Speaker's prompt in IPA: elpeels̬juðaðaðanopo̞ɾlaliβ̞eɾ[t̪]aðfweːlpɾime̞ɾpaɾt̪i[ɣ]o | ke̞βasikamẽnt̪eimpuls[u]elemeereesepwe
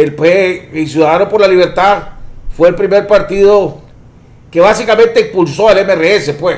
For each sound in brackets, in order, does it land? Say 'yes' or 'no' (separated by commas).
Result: yes, no, no